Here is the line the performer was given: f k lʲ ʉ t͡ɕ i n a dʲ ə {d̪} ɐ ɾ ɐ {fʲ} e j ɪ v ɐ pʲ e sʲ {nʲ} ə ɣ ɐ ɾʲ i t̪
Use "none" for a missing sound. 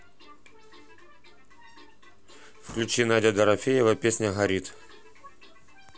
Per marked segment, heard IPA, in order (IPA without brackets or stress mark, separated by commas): d̪, fʲ, nʲ